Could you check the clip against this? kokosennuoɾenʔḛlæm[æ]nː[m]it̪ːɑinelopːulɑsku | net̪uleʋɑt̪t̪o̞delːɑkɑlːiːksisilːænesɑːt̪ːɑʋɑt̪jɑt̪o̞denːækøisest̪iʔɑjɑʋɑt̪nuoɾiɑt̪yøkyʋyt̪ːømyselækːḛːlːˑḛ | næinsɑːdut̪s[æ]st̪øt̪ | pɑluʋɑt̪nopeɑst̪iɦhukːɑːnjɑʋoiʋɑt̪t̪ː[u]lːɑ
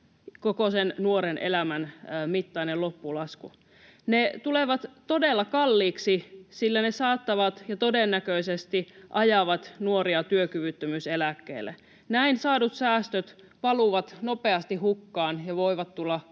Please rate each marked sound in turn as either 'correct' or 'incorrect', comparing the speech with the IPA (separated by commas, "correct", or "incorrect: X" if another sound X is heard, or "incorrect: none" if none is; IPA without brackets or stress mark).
correct, correct, incorrect: æː, correct